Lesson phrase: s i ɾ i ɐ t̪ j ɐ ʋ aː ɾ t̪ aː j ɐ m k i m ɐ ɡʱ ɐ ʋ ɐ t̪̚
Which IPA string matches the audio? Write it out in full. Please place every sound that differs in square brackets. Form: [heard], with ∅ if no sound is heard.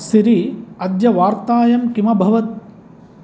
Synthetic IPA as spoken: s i ɾ i ɐ [d̪] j ɐ ʋ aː ɾ t̪ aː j ɐ m k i m ɐ [bʱ] ɐ ʋ ɐ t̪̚